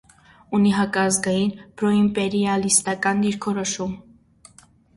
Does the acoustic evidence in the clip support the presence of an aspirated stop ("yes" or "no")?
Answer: yes